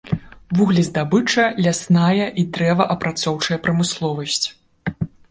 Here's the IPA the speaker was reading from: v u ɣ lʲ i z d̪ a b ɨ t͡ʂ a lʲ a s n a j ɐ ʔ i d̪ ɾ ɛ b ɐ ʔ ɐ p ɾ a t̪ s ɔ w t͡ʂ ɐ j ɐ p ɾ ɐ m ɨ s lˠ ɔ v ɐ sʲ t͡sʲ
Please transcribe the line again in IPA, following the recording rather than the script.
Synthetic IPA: v u ɣ lʲ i z d̪ a b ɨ t͡ʂ ɐ lʲ a s n a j ɐ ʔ i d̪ ɾ ɛ v ɐ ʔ ɐ p ɾ a t̪ s ɔ w t͡ʂ ɐ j ɐ p ɾ ɐ m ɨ s lˠ ɔ v ɐ sʲ t͡sʲ